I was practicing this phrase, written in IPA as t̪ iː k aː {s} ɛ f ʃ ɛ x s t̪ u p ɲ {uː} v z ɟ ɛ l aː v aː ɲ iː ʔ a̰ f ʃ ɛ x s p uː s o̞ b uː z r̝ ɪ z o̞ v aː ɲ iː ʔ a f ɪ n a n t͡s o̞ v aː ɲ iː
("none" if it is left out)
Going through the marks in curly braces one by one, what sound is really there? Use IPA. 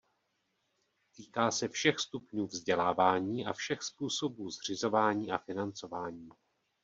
s, uː

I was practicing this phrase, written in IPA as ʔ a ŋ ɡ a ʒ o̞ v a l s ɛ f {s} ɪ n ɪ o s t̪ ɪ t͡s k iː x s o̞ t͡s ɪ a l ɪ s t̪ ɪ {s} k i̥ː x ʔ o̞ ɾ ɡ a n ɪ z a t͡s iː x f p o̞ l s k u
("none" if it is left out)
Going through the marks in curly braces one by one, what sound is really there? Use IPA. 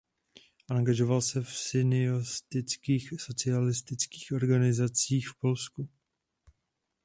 s, t͡s

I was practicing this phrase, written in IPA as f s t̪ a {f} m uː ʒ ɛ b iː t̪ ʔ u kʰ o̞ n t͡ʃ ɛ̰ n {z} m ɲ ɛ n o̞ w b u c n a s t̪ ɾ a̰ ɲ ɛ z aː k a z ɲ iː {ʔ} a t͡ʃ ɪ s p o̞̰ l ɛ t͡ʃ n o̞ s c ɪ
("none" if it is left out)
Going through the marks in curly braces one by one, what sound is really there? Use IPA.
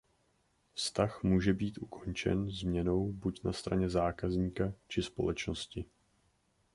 x, z, k

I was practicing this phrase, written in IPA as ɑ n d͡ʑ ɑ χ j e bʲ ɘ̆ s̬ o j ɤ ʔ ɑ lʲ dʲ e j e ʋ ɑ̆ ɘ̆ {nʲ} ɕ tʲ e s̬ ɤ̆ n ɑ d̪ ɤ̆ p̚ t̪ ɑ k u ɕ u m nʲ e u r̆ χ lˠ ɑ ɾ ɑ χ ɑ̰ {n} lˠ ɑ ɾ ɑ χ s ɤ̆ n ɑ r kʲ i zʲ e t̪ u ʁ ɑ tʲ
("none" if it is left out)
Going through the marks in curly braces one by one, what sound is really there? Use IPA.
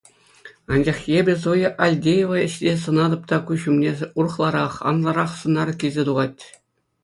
none, n

